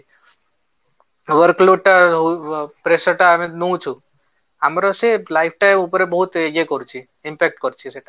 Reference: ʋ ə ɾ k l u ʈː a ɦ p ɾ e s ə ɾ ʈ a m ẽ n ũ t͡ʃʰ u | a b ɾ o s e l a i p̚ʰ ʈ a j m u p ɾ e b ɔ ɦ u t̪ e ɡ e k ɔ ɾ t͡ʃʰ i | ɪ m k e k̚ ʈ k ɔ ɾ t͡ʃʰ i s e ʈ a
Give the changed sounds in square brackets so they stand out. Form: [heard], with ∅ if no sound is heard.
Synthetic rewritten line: ʋ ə ɾ k l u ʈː a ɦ p ɾ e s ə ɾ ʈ a m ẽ n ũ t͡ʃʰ u | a [m] ɾ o s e l a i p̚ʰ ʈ a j m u p ɾ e b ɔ ɦ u t̪ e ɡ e k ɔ ɾ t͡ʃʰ i | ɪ m [p] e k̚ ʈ k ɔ ɾ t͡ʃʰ i s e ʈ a

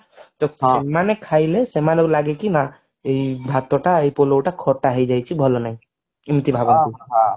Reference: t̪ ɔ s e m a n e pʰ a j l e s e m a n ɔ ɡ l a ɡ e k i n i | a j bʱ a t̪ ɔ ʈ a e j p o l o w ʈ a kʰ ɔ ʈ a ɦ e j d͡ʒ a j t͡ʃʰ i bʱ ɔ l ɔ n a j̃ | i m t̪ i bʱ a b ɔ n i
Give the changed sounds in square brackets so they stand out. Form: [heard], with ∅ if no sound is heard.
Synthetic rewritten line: t̪ ɔ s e m a n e [kʰ] a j l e s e m a n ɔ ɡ l a ɡ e k i n [a] | [e] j bʱ a t̪ ɔ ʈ a e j p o l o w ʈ a kʰ ɔ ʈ a ɦ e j d͡ʒ a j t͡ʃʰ i bʱ ɔ l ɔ n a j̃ | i m t̪ i bʱ a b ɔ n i

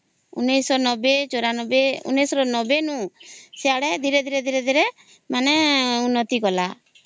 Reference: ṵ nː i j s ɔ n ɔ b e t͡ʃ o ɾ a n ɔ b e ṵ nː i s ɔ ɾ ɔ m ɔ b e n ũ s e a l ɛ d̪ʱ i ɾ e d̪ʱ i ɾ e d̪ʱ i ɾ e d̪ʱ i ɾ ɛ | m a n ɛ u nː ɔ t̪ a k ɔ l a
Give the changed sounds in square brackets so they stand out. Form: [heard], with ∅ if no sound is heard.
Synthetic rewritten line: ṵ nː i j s ɔ n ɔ b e t͡ʃ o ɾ a n ɔ b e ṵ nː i s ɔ ɾ ɔ [n] ɔ b e n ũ s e a [ɽ] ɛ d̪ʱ i ɾ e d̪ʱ i ɾ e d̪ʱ i ɾ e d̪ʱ i ɾ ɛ | m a n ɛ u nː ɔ t̪ [i] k ɔ l a

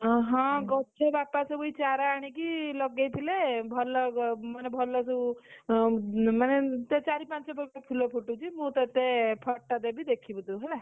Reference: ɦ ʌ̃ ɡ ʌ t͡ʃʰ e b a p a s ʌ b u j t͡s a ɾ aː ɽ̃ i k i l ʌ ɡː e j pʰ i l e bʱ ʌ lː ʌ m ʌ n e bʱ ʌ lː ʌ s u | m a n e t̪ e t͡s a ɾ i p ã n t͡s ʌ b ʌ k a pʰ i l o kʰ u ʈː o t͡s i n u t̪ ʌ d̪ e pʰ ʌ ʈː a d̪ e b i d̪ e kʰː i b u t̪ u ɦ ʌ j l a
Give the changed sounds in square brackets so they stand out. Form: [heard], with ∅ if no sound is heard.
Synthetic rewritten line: ɦ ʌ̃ ɡ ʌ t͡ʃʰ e b a p a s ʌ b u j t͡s a ɾ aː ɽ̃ i k i l ʌ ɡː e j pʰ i l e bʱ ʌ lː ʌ m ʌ n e bʱ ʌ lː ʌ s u | m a n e t̪ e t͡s a ɾ i p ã n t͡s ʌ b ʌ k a pʰ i l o [pʰ] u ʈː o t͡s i [m] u t̪ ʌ [t̪] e pʰ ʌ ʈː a d̪ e b i d̪ e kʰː i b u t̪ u ɦ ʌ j l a

